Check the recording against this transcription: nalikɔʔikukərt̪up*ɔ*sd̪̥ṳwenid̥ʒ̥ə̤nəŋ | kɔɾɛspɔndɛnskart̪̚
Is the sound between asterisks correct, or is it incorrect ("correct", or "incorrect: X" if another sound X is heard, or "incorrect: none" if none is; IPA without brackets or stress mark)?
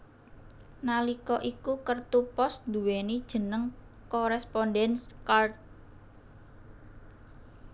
correct